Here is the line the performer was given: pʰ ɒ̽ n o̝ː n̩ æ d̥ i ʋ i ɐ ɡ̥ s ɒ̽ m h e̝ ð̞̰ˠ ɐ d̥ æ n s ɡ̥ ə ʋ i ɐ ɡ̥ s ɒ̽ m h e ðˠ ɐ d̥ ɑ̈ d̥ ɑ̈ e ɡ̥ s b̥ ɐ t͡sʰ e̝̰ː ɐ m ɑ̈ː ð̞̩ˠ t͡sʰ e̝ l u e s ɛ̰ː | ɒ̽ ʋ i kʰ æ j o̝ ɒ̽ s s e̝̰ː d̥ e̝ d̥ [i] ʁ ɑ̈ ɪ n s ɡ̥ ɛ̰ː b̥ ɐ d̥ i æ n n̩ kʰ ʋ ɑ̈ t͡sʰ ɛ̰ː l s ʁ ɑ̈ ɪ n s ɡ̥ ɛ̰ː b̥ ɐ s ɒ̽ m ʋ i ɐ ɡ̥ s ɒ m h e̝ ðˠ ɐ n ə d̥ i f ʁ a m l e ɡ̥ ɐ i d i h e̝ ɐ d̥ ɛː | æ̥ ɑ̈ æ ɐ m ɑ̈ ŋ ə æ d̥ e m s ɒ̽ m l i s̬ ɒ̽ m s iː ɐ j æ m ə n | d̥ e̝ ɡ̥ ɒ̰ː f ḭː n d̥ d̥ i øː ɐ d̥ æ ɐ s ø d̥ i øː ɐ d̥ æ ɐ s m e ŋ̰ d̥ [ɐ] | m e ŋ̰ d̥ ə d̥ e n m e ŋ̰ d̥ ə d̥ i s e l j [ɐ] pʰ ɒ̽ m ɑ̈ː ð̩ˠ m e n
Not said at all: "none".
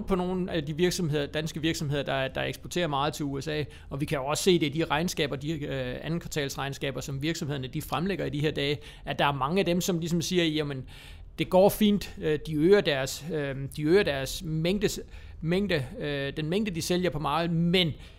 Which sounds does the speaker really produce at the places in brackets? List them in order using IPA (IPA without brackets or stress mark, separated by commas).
i, ə, ɐ